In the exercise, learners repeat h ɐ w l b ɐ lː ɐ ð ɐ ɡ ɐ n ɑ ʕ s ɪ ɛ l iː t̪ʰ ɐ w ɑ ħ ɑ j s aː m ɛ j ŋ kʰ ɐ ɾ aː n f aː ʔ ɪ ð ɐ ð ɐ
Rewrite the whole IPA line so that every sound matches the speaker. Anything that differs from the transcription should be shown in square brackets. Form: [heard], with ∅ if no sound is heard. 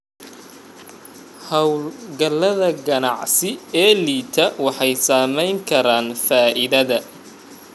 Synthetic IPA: h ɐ w l [ɡ] ɐ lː ɐ ð ɐ ɡ ɐ n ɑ ʕ s ɪ [ɛː] l iː t̪ʰ ɐ w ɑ ħ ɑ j s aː m ɛ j ŋ kʰ ɐ ɾ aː n f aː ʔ ɪ ð ɐ ð ɐ

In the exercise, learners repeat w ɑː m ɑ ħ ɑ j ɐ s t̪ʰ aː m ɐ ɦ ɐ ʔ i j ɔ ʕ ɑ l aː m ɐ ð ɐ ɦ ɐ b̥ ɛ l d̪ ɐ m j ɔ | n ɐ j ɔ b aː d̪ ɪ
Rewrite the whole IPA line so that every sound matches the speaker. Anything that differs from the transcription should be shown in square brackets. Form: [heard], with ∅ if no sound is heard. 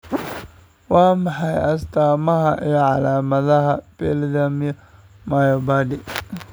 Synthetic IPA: w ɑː m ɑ ħ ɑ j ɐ s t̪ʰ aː m ɐ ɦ ɐ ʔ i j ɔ ʕ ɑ l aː m ɐ ð ɐ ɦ ɐ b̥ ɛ l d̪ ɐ m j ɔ | [m] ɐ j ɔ b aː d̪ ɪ

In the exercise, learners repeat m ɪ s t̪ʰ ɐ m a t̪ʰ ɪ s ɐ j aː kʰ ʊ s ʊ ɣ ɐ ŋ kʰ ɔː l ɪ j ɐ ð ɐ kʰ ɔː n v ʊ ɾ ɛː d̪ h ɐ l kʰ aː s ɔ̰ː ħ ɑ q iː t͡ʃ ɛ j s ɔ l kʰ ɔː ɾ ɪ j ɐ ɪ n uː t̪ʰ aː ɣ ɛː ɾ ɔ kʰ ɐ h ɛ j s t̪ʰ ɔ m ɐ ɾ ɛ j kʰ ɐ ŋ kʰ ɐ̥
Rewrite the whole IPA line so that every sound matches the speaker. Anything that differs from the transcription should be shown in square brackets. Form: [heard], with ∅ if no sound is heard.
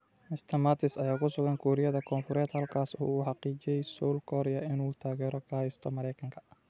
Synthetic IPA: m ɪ s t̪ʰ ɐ m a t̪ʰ ɪ s ɐ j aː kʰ ʊ s ʊ ɣ ɐ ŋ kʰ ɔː [ɾ] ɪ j ɐ ð ɐ kʰ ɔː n [f] ʊ ɾ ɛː d̪ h ɐ l kʰ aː s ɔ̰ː ħ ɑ q iː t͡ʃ ɛ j s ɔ l kʰ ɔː ɾ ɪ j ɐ ɪ n uː t̪ʰ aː ɣ ɛː ɾ ɔ kʰ ɐ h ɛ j s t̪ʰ ɔ m ɐ ɾ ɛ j kʰ ɐ ŋ kʰ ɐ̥

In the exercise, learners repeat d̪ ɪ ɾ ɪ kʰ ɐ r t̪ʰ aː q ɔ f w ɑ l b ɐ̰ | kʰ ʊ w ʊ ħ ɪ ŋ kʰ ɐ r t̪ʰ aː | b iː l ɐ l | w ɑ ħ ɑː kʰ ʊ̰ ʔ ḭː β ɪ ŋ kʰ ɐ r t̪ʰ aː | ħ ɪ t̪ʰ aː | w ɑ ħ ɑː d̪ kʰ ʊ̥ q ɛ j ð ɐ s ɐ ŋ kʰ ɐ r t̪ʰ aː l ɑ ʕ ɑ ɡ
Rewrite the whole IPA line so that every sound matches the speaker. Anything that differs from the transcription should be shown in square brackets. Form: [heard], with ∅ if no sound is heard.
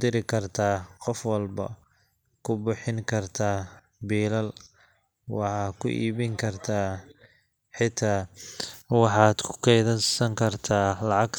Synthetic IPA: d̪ ɪ ɾ ɪ kʰ ɐ r t̪ʰ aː q ɔ f w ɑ l b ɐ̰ | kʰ ʊ [b] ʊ ħ ɪ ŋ kʰ ɐ r t̪ʰ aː | b iː l ɐ l | w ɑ ħ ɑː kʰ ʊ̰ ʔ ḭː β ɪ ŋ kʰ ɐ r t̪ʰ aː | ħ ɪ t̪ʰ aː | w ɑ ħ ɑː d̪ kʰ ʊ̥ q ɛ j ð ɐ s ɐ ŋ kʰ ɐ r t̪ʰ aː l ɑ ʕ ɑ ɡ

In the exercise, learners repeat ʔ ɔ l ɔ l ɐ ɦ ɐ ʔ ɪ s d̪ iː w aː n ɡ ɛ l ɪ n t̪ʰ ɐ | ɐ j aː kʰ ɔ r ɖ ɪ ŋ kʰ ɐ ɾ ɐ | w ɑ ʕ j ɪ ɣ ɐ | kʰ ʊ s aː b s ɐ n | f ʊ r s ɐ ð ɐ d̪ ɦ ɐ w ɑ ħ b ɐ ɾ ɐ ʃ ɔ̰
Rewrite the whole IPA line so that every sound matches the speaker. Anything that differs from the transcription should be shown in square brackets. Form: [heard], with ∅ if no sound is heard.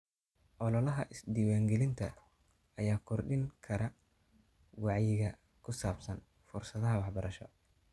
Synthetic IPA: ʔ ɔ l ɔ l ɐ ɦ ɐ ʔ ɪ s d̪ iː w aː [ŋ] ɡ ɛ l ɪ n t̪ʰ ɐ | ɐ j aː kʰ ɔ r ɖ ɪ ŋ kʰ ɐ ɾ ɐ | w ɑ ʕ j ɪ ɣ ɐ | kʰ ʊ s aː b s ɐ n | f ʊ r s ɐ ð ɐ [∅] ɦ ɐ w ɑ ħ b ɐ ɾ ɐ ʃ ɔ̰

